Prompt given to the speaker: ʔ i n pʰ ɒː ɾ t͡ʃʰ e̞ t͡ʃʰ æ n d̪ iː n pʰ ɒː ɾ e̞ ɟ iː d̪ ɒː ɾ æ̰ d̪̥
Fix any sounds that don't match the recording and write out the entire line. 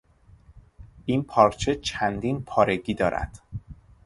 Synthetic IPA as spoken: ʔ i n pʰ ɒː ɾ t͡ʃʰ e̞ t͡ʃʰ æ n d̪ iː n pʰ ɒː ɾ e̞ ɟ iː d̪ ɒː ɾ æ̰ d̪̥